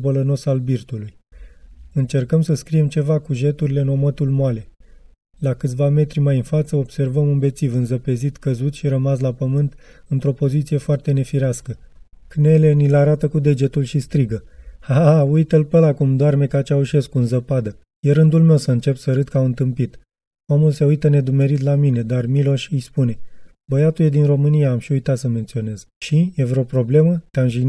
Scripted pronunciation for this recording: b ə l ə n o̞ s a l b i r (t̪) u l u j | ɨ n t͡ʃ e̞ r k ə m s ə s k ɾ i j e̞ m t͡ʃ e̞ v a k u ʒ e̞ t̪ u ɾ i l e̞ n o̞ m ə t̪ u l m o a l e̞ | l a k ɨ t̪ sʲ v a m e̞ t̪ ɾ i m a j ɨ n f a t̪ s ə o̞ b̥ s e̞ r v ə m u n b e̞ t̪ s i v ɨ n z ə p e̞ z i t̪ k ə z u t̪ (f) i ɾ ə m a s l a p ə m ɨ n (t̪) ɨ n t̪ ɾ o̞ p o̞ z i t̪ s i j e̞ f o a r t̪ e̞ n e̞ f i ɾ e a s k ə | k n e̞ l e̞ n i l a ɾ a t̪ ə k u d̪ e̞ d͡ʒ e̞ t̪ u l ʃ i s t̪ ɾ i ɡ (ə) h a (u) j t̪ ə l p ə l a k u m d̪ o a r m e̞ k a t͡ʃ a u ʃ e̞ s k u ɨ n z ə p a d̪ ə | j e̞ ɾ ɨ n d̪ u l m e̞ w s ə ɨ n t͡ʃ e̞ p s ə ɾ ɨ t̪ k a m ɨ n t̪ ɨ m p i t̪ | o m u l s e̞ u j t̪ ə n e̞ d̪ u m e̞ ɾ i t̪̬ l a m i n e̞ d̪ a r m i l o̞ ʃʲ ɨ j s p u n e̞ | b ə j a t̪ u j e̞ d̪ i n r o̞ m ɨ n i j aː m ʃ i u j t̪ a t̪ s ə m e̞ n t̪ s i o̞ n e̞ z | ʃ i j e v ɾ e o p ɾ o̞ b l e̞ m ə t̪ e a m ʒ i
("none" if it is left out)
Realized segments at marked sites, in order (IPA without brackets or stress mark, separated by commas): t̪, ʃ, t̪, ə, u